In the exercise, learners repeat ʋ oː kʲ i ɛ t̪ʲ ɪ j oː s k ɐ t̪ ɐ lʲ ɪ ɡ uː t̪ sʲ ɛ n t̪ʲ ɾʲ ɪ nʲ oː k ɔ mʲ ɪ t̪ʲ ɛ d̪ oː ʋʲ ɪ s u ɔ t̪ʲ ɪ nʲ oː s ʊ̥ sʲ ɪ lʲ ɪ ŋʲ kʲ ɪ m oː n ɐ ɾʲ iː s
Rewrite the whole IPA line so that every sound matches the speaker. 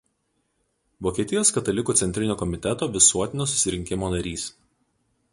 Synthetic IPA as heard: ʋ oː kʲ i ɛ t̪ʲ ɪ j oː s k ɐ t̪ ɐ lʲ ɪ k uː t̪ sʲ ɛ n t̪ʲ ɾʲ ɪ nʲ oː k ɔ mʲ ɪ t̪ʲ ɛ t̪ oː ʋʲ ɪ s u ɔ t̪ʲ ɪ nʲ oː s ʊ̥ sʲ ɪ ɾʲ ɪ ŋʲ kʲ ɪ m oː n ɐ ɾʲ iː s